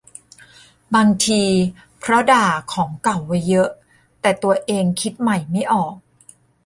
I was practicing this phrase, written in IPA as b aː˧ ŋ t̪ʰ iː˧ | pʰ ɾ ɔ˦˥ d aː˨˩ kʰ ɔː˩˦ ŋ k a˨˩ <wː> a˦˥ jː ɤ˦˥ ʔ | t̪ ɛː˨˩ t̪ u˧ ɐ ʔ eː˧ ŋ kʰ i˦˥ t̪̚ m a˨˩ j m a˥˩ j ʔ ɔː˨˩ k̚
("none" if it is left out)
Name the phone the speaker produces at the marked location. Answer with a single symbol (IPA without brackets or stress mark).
wː